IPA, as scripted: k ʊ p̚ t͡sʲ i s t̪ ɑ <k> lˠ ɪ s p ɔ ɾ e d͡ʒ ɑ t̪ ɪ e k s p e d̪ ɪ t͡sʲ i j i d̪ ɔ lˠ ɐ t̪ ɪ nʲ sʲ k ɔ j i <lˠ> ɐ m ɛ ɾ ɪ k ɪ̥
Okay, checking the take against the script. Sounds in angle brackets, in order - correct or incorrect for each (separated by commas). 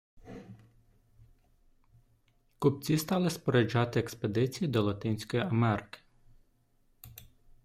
incorrect, incorrect